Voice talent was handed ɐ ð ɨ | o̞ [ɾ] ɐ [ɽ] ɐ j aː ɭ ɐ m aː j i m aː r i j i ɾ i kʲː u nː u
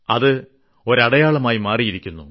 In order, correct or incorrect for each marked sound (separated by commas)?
correct, correct